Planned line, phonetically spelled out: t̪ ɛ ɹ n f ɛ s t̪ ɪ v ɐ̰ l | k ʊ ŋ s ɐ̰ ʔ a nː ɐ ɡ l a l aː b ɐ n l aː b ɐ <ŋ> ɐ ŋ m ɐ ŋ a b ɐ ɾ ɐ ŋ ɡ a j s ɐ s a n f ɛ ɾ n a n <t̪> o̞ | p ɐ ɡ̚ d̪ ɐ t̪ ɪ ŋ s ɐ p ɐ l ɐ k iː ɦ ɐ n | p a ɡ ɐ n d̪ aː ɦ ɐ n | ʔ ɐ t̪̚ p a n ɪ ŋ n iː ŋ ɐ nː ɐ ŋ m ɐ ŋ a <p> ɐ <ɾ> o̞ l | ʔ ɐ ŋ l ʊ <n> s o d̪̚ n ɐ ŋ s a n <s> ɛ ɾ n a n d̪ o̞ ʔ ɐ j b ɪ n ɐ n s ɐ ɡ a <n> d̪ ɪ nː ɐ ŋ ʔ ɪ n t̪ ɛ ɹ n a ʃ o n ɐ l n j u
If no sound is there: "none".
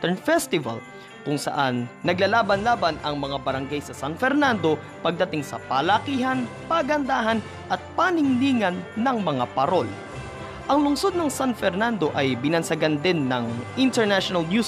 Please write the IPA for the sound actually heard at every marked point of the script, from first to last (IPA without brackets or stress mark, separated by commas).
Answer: n, d̪, p, ɾ, ŋ, f, n